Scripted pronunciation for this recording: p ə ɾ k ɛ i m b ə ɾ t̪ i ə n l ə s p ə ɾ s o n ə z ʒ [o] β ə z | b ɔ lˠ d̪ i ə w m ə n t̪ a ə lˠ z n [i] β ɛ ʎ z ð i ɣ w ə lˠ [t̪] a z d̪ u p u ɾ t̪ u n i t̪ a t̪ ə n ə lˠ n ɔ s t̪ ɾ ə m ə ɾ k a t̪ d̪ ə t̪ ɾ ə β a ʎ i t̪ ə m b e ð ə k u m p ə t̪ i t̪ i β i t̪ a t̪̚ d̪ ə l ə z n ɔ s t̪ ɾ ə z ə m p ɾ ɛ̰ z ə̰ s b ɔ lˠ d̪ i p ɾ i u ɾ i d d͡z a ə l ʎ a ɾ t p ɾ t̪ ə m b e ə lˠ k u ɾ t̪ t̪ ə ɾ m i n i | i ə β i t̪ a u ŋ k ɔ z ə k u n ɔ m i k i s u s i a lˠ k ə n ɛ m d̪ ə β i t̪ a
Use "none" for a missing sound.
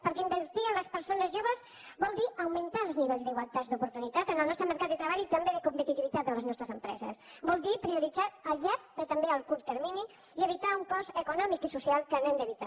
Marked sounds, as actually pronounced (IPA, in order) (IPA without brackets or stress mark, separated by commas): o, i, t̪